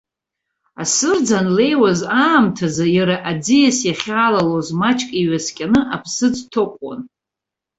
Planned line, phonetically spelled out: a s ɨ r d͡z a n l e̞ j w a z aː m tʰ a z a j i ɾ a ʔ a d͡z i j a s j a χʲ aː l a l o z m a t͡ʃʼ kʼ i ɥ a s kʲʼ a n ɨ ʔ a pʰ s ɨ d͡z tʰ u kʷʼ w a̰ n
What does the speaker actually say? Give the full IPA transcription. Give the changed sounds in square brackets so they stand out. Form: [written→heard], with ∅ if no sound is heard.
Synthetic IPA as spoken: a s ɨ r d͡z a n l e̞ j w a z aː m tʰ a z a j [i→a] ɾ a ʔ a d͡z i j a s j a χʲ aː l a l o z m a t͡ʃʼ kʼ i ɥ a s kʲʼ a n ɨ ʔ a pʰ s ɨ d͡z tʰ [u→o] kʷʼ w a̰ n